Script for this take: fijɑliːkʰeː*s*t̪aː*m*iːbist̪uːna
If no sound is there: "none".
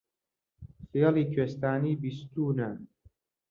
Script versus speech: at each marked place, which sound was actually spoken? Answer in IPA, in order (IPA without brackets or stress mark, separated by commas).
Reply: s, n